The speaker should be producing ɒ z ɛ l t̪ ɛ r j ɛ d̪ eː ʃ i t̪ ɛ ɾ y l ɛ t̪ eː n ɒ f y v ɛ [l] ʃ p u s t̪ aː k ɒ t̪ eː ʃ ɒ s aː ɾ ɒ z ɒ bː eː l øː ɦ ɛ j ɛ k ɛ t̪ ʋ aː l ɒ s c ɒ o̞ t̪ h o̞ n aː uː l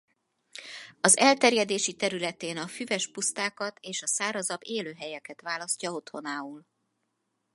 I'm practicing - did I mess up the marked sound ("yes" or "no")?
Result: yes